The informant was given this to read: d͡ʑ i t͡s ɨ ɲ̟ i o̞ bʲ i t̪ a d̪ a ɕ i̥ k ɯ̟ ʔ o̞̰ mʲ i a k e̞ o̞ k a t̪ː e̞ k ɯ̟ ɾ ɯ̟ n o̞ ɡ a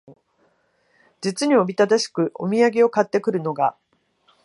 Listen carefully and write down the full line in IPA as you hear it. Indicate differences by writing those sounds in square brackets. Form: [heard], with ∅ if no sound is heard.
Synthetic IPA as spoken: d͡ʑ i t͡s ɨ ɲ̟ i o̞ bʲ i t̪ a d̪ a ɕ i̥ k ɯ̟ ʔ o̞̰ mʲ i a [ɡ] e̞ o̞ k a t̪ː e̞ k ɯ̟ ɾ ɯ̟ n o̞ ɡ a